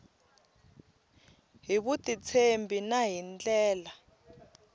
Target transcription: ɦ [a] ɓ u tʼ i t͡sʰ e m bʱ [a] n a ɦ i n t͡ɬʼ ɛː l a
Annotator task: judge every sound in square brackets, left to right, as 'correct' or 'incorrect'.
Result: incorrect, incorrect

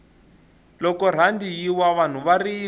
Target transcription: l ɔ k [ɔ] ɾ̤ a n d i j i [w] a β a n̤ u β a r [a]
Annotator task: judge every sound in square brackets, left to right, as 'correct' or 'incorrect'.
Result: correct, correct, incorrect

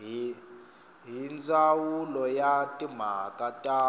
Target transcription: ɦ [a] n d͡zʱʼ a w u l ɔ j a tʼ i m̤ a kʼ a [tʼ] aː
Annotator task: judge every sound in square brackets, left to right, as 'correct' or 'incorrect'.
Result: incorrect, correct

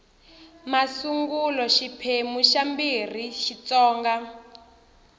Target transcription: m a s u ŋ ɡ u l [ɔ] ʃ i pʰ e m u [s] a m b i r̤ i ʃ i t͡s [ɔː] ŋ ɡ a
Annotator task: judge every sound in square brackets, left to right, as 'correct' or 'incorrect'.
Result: correct, incorrect, correct

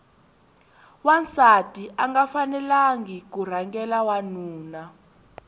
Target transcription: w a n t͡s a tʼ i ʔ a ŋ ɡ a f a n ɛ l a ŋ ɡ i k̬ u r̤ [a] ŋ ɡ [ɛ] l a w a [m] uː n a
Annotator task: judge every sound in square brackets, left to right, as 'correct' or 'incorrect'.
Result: correct, correct, incorrect

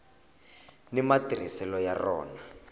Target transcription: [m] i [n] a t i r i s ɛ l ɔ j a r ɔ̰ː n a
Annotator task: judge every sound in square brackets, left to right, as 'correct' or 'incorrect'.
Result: incorrect, incorrect

